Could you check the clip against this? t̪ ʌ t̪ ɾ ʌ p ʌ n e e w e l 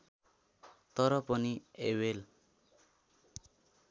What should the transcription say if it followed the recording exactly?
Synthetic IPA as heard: t̪ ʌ ɾ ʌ p ʌ n i e w e l